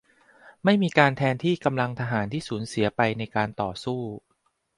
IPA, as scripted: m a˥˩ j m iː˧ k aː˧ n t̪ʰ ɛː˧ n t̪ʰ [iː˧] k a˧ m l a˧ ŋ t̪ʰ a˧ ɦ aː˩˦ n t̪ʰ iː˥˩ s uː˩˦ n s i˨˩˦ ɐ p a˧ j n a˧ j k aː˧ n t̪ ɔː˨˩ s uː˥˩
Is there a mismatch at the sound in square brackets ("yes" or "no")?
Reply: yes